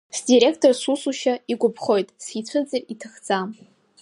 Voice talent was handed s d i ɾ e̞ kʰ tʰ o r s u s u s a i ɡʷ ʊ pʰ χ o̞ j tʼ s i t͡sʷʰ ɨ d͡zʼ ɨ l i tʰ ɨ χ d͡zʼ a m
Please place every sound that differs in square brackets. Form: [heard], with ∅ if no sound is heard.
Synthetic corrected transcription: s d i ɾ e̞ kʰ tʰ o r s u s u [ʃ] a i ɡʷ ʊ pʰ χ o̞ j tʼ s i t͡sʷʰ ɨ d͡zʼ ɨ [r] i tʰ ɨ χ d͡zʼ a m